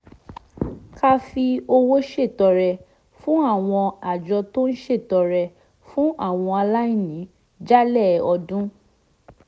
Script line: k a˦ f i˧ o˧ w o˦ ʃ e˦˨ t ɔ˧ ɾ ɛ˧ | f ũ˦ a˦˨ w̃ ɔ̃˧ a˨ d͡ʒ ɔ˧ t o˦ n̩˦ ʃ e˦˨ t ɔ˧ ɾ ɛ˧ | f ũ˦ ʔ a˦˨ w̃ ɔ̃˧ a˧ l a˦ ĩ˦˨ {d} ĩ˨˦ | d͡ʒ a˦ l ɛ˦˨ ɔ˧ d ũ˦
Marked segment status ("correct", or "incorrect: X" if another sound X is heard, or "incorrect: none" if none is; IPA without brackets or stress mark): incorrect: n